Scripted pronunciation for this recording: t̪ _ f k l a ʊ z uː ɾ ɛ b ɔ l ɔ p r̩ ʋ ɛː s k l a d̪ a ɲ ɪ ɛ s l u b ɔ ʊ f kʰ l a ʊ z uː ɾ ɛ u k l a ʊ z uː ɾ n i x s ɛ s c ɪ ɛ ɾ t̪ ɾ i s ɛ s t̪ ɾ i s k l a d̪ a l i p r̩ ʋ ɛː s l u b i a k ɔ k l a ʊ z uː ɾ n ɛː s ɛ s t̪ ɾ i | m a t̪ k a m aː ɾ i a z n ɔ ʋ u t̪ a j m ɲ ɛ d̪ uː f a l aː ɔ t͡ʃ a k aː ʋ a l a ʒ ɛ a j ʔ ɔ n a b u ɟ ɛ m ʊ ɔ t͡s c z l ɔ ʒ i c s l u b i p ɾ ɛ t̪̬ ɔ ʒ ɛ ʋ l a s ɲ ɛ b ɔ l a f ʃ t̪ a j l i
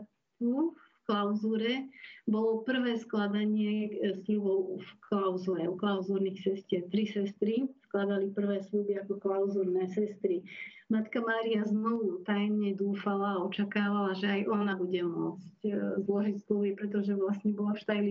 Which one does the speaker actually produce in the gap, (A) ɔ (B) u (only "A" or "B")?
B